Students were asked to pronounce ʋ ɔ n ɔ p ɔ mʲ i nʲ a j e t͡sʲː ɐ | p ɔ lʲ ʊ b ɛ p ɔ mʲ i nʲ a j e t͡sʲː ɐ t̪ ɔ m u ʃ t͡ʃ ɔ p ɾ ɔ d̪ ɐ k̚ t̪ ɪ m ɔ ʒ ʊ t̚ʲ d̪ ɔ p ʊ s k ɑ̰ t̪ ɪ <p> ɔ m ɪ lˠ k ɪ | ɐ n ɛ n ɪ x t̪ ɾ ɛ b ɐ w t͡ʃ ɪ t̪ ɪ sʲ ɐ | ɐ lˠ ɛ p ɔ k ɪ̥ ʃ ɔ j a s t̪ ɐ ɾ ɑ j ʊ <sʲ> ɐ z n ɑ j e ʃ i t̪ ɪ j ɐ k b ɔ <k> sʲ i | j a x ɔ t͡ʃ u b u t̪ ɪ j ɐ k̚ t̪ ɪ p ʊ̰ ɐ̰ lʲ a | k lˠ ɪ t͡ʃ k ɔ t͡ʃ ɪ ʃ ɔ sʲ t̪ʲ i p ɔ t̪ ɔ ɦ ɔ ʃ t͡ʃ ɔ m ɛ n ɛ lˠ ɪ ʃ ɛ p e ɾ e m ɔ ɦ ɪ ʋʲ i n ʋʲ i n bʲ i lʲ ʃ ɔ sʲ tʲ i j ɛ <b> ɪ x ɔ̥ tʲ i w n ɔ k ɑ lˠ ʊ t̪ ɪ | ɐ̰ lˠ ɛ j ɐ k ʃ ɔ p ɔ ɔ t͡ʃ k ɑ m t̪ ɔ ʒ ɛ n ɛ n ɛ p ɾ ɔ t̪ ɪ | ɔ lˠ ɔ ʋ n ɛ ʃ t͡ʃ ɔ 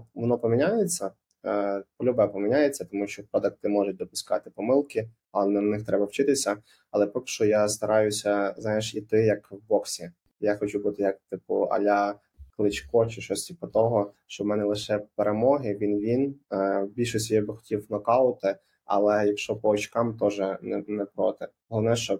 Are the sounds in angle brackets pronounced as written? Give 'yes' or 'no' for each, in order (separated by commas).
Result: yes, yes, yes, yes